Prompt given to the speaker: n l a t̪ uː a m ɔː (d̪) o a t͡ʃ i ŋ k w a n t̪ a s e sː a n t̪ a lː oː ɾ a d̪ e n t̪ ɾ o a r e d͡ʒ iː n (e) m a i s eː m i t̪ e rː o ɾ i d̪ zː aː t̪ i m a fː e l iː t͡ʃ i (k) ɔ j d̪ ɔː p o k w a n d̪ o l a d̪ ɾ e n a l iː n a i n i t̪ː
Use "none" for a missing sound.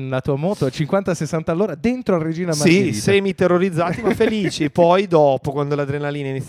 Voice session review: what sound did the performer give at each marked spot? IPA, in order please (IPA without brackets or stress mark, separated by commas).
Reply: t̪, a, p